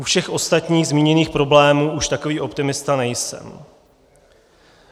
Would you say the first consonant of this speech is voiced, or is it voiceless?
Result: voiceless